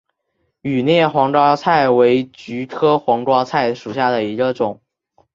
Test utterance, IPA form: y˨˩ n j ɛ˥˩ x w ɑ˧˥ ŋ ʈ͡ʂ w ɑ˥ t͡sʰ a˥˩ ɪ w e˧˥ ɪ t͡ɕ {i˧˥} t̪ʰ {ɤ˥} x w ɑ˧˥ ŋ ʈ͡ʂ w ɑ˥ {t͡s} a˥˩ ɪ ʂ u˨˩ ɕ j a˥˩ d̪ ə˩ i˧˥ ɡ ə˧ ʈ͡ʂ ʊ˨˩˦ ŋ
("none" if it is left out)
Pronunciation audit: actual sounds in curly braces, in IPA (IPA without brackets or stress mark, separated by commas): y˧˥, ɤ˥, t͡sʰ